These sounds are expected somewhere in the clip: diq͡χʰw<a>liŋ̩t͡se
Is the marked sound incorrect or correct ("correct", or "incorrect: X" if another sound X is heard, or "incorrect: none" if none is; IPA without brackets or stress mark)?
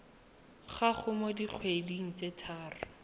incorrect: e